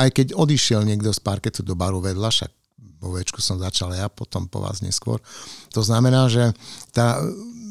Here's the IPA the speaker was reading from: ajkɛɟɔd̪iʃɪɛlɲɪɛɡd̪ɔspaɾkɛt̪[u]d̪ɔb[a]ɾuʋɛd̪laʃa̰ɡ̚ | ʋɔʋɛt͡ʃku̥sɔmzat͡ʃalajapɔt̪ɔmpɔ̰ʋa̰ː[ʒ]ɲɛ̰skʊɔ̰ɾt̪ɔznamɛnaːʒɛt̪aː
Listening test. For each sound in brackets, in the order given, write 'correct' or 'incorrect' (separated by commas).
correct, correct, incorrect